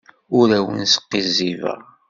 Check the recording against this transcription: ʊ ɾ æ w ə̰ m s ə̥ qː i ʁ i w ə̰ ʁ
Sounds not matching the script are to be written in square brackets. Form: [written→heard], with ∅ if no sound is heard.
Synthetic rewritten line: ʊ ɾ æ w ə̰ [m→n] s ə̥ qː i [ʁ→z] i [w→v] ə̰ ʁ